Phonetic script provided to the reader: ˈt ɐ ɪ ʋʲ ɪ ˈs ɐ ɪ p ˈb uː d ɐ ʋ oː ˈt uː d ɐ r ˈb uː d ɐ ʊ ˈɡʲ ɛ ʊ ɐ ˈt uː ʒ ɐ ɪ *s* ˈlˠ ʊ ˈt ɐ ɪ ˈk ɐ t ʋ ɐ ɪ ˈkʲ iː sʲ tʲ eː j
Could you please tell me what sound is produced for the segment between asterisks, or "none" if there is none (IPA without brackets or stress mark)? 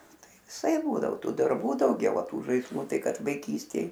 s